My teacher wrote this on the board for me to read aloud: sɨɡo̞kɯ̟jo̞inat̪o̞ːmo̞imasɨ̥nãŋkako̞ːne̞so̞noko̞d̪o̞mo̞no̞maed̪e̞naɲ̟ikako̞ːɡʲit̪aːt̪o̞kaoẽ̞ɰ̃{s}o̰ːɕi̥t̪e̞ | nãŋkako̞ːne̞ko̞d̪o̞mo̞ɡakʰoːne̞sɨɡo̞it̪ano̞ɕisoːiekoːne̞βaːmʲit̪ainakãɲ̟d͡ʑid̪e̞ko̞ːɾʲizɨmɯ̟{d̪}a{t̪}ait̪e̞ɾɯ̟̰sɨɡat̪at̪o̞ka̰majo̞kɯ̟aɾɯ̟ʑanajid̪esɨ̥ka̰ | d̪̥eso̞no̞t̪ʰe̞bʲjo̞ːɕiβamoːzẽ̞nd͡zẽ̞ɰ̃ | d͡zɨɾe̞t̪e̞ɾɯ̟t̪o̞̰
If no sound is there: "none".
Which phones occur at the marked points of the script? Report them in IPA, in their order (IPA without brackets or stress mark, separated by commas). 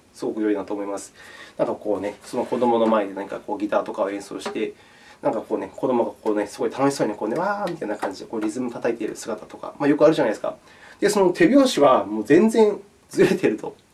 s, t̪, t̪